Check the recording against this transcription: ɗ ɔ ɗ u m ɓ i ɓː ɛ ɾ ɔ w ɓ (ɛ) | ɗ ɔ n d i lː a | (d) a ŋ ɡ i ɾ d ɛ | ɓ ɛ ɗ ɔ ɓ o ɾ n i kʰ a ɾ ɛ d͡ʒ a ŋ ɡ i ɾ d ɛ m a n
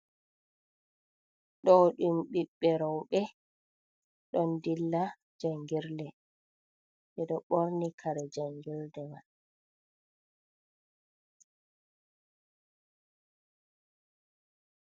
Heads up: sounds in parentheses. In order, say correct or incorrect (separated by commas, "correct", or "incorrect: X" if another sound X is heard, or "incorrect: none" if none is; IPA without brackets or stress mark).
correct, incorrect: d͡ʒ